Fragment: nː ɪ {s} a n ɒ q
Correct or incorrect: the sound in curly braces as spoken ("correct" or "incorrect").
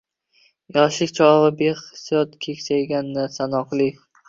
correct